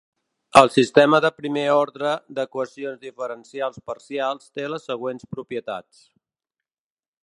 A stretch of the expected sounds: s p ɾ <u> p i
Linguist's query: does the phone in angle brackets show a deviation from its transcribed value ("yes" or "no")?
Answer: no